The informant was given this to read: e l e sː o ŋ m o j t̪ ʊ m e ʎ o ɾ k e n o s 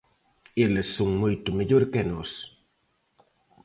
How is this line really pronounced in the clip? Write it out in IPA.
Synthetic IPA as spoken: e l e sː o ŋ m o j t̪ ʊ m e ʎ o ɾ k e n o s